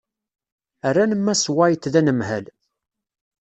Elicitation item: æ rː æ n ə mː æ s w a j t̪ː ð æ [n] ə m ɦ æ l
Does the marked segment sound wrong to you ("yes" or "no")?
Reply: no